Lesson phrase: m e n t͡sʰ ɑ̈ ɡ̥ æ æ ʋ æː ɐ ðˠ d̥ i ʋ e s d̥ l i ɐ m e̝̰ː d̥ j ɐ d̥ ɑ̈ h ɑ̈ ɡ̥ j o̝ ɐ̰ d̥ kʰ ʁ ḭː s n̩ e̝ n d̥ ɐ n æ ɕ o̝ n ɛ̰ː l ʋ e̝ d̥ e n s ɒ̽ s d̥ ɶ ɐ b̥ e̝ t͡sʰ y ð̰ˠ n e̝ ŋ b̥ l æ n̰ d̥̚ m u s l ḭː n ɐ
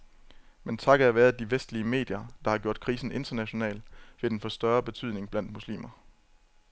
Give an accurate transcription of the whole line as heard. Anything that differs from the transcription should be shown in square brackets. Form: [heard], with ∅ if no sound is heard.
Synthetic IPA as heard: m e n t͡sʰ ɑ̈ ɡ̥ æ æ ʋ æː ɐ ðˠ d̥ i ʋ e s d̥ l i [ə] m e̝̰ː d̥ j ɐ d̥ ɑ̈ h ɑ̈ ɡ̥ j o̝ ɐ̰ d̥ kʰ ʁ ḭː s n̩ e̝ n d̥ ɐ n æ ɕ o̝ n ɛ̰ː l ʋ e̝ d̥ e n [f] ɒ̽ s d̥ ɶ ɐ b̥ e̝ t͡sʰ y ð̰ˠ n e̝ ŋ b̥ l æ n̰ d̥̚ m u s l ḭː [m] ɐ